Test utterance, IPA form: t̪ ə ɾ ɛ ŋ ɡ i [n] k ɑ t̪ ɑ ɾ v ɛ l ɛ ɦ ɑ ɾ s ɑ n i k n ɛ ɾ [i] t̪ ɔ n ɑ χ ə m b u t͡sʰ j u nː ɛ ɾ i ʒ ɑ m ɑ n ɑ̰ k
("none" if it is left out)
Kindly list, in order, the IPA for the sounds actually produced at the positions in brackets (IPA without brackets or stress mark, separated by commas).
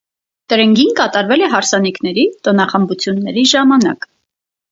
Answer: n, i